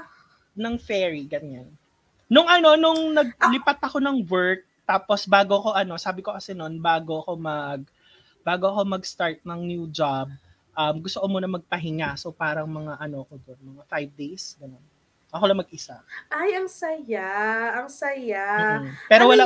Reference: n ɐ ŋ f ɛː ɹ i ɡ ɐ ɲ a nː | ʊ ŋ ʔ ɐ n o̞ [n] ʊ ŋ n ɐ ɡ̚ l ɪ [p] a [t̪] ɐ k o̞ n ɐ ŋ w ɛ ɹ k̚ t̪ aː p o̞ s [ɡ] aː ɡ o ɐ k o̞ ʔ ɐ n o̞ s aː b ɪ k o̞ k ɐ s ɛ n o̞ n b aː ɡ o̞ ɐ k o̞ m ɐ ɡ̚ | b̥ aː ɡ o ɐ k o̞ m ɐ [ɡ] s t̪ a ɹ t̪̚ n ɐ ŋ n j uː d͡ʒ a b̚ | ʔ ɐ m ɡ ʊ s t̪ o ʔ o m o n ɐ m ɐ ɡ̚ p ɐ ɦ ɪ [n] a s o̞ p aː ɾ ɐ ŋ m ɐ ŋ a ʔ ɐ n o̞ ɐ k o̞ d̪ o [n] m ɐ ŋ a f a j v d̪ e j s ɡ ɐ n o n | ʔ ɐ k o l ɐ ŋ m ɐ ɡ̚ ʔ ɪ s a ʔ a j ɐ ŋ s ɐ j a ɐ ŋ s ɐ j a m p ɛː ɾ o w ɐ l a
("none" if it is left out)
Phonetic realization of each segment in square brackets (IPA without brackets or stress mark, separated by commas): n, p, t̪, b, ɡ, ŋ, n